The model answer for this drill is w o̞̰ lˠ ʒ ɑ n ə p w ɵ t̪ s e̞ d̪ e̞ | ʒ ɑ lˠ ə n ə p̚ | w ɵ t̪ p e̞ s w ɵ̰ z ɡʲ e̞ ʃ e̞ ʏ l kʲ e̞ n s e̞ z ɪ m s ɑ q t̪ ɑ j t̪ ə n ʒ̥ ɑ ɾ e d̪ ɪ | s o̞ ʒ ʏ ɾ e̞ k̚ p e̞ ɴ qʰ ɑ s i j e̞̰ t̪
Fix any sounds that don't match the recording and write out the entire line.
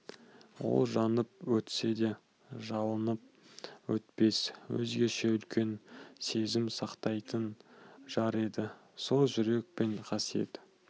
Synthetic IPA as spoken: w o̞̰ lˠ ʒ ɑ n ə p w ɵ t̪ s e̞ d̪ e̞ | ʒ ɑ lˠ ə n ə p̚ | w ɵ t̪ p e̞ s w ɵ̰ z ɡʲ e̞ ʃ e̞ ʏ l kʲ e̞ n s e̞ z ɪ m s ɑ q t̪ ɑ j t̪ ə n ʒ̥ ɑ ɾ e d̪ ɪ | s o̞ ʒ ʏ ɾ e̞ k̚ p e̞ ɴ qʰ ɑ s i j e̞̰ t̪